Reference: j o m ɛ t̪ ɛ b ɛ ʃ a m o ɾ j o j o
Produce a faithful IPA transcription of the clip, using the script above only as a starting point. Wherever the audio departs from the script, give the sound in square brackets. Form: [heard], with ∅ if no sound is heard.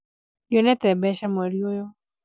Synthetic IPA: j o [n] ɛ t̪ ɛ b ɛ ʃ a m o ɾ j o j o